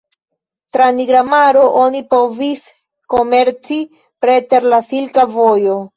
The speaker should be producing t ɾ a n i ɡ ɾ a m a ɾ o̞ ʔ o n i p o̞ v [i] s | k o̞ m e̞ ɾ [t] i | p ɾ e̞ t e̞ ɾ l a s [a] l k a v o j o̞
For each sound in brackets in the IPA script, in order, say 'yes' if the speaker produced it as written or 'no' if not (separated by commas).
yes, no, no